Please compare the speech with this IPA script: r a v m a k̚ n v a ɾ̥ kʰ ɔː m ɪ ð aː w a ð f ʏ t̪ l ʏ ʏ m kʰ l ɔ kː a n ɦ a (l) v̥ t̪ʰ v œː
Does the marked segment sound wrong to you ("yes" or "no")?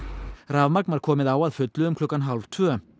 no